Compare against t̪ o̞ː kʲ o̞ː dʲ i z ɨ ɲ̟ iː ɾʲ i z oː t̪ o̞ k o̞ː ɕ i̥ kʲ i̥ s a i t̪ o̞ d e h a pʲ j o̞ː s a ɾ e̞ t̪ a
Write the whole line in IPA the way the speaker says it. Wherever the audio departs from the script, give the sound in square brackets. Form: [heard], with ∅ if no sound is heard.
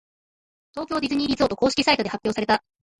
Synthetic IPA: t̪ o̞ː kʲ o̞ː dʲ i z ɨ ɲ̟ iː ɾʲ i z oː t̪ o̞ k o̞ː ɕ i̥ kʲ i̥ s a i t̪ o̞ d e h a pʲ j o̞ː s a ɾ e̞ t̪ a